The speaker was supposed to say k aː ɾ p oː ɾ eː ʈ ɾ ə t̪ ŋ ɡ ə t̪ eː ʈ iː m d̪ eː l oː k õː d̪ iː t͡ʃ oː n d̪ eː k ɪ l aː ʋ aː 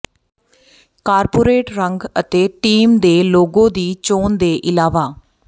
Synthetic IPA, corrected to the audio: k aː ɾ p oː ɾ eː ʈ ɾ ə ŋ ɡ ə t̪ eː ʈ iː m d̪ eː l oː ɡ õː d̪ iː t͡ʃ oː n d̪ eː ʔ ɪ l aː ʋ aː